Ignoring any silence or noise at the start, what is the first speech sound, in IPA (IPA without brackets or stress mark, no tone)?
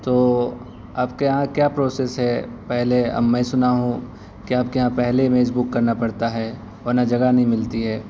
t̪